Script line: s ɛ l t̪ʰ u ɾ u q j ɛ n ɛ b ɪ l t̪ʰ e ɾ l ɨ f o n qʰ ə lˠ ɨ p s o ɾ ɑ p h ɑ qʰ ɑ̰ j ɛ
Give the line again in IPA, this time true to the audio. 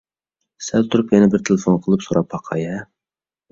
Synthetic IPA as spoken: s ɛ l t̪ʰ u ɾ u p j ɛ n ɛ b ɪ ɾ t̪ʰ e l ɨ f o n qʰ ə lˠ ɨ p s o ɾ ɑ p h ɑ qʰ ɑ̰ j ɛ

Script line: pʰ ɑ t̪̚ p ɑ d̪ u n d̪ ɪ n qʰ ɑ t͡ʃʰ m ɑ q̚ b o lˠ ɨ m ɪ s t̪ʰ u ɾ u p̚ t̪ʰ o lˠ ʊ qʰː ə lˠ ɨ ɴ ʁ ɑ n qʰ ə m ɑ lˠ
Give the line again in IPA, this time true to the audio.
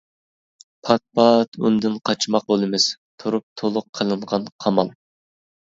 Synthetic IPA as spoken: pʰ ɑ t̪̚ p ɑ t̪ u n d̪ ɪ n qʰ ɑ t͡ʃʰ m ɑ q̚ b o lˠ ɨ m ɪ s t̪ʰ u ɾ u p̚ t̪ʰ o lˠ ʊ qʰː ə lˠ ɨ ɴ ʁ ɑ n qʰ ɑ m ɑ lˠ

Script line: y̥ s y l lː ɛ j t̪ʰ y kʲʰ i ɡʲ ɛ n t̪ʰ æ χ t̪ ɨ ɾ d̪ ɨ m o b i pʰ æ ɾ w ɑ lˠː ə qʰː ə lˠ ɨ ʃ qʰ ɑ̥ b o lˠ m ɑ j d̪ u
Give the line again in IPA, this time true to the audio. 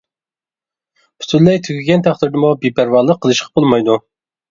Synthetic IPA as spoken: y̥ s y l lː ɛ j t̪ʰ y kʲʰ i ɡʲ ɛ n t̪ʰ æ χ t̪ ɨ ɾ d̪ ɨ m u b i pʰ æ ɾ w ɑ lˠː ə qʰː ə lˠ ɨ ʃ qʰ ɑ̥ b o lˠ m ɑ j d̪ u

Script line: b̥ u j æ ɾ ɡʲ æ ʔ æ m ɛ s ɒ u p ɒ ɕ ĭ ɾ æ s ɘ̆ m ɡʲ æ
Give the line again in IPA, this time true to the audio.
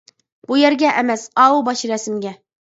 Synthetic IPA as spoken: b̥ u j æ ɾ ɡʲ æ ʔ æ m æ s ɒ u b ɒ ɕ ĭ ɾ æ s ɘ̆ m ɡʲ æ

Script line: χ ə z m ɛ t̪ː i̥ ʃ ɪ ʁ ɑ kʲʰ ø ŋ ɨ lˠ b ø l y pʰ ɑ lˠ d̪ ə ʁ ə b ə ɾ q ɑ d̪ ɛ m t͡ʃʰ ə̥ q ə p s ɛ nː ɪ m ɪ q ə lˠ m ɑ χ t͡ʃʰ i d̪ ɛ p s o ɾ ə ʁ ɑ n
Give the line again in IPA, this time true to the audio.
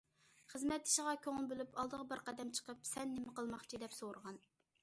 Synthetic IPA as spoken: χ ə z m ɛ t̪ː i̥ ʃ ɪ ʁ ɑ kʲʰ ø ŋ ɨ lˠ b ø l y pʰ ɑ lˠ d̪ ə ʁ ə b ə ɾ q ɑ d̪ ɛ m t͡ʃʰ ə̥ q ə p s ɛ nː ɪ m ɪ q ə lˠ m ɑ χ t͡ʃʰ i d̪ ɛ p s o ɾ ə ʁ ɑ n

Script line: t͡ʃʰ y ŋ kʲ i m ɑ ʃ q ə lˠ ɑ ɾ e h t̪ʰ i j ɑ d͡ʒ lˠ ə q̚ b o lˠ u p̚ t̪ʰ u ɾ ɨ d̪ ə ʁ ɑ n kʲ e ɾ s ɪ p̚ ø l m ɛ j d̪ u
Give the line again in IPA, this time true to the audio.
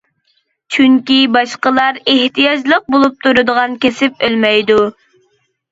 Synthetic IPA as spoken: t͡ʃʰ y ŋ kʲ i b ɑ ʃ q ə lˠ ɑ ɾ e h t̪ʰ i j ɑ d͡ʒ lˠ ə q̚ b o lˠ u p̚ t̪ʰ u ɾ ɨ d̪ ə ʁ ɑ n kʲ e s ɪ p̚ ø l m ɛ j d̪ u

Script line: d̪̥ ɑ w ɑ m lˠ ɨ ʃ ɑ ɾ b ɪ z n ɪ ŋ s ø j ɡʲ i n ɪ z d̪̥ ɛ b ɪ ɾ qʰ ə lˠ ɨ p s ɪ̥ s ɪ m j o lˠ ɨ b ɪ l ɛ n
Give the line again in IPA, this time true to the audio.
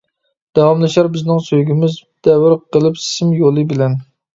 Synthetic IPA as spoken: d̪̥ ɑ w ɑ m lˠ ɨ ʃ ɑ ɾ b ɪ z n ɪ ŋ s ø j ɡʲ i m ɪ z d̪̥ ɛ w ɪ ɾ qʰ ə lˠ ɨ p s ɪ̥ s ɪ m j o lˠ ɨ b ɪ l ɛ n

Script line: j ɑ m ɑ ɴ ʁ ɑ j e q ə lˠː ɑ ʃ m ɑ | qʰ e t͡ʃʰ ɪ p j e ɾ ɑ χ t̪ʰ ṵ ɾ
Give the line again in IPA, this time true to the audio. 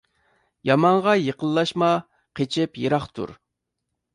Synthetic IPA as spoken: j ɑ m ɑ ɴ ʁ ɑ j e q ə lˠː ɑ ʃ m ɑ | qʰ e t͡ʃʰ ɪ p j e ɾ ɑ χ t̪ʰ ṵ ɾ

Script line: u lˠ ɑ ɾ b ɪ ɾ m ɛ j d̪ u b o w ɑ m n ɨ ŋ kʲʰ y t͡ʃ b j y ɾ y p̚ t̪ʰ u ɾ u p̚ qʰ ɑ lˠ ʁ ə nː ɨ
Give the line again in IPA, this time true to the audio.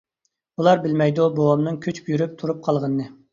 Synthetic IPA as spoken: u lˠ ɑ ɾ b ɪ l m ɛ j d̪ u b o w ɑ m n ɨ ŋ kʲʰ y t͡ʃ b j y ɾ y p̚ t̪ʰ u ɾ u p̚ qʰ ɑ lˠ ʁ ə nː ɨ

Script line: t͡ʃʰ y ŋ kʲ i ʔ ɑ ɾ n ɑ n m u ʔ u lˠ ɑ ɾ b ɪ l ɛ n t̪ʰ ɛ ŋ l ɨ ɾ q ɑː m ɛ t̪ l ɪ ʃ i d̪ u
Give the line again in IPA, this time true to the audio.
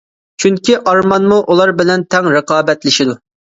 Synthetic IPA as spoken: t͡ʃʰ y ŋ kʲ i ʔ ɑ ɾ m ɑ n m u ʔ u lˠ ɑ ɾ b ɪ l ɛ n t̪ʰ ɛ ŋ ɾ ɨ q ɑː b ɛ t̪ l ɪ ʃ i d̪ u

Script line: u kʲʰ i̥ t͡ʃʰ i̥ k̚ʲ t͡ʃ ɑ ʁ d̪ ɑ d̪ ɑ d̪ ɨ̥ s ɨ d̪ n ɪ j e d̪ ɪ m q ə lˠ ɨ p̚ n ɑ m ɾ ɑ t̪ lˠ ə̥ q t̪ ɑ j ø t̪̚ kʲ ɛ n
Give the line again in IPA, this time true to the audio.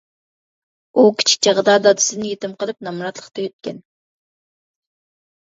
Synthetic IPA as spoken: u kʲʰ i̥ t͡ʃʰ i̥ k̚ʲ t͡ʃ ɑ ʁ d̪ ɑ d̪ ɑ d̪ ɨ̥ s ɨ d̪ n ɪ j e t̪ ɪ m q ə lˠ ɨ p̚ n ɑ m ɾ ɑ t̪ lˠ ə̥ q t̪ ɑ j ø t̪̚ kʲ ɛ n

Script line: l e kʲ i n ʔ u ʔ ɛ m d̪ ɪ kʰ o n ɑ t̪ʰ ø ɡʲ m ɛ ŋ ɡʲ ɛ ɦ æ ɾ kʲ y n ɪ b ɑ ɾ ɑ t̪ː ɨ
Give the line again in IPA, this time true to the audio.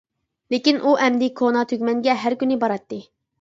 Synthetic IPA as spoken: l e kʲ i n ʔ u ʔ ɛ m d̪ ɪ kʰ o n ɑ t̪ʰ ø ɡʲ m ɛ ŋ ɡʲ ɛ ɦ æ ɾ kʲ y n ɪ b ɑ ɾ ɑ t̪ː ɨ

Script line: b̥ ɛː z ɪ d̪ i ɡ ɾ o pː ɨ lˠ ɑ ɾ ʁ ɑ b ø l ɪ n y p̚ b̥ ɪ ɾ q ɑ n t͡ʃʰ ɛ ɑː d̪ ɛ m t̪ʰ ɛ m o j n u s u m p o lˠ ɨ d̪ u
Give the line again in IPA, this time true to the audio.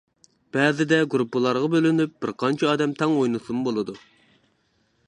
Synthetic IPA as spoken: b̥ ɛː z ɪ d̪ ɛ ɡ ɾ u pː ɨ lˠ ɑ ɾ ʁ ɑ b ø l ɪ n y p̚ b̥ ɪ ɾ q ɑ n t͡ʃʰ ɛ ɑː d̪ ɛ m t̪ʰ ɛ ŋ o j n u s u m b o lˠ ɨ d̪ u

